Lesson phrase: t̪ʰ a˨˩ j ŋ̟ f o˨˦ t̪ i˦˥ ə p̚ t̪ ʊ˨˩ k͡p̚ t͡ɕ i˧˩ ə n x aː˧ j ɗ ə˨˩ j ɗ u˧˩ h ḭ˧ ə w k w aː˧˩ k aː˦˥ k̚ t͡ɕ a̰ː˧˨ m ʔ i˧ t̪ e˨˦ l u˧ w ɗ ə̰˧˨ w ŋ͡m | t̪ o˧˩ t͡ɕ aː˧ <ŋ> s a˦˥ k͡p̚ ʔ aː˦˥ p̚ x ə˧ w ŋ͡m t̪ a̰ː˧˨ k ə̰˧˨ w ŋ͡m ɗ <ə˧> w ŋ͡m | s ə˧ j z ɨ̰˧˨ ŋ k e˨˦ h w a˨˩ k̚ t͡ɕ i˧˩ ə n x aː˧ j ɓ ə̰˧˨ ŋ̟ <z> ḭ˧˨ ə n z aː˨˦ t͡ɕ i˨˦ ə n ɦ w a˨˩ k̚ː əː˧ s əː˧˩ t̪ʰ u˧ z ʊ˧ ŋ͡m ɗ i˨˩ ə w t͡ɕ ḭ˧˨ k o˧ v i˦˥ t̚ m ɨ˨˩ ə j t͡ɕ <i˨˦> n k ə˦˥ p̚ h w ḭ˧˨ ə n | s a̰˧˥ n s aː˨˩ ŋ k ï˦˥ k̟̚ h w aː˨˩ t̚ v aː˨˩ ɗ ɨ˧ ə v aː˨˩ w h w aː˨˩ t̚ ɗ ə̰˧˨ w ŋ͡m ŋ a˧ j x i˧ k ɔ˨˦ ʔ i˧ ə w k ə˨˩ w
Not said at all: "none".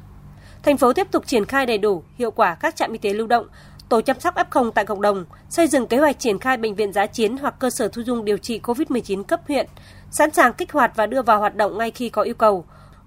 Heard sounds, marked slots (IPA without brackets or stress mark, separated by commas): m, ə˨˩, v, i˨˦